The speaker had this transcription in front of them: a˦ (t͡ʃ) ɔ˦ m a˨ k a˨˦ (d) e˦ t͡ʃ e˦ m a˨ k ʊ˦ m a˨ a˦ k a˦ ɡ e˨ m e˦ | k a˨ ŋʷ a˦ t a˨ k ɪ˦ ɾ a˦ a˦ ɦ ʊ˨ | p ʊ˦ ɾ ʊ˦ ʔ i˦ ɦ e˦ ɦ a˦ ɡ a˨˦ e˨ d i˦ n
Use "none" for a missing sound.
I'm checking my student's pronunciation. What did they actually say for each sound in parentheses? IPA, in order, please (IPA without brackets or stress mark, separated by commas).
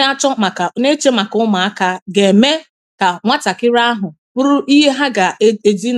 t͡ʃ, n